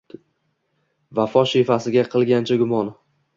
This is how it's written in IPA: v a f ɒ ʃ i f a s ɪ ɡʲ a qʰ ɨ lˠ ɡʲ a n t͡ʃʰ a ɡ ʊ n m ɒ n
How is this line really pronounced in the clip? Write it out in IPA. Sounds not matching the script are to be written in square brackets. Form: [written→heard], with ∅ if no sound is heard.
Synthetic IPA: v a f ɒ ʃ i f a s ɪ ɡʲ a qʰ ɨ lˠ ɡʲ a n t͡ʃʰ a ɡ ʊ [n→∅] m ɒ n